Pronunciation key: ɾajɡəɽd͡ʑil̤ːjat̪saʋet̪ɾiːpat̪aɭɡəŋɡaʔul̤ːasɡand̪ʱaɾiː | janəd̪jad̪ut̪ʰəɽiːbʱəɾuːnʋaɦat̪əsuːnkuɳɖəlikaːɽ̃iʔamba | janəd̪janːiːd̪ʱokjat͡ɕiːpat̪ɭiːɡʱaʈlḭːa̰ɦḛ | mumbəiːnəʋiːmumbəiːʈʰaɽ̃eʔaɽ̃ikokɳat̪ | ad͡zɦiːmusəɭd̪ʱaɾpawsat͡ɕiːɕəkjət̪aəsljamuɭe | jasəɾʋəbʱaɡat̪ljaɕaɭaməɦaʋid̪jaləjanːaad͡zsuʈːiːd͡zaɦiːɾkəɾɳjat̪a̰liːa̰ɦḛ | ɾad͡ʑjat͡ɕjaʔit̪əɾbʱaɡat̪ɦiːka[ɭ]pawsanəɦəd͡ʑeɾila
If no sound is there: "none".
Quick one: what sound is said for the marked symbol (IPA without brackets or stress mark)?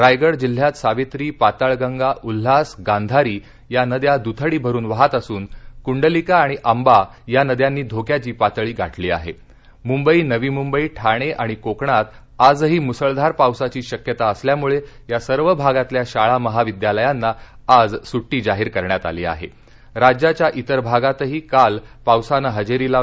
l